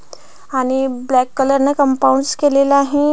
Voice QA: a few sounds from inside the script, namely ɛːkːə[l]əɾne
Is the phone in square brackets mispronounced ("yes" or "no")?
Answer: no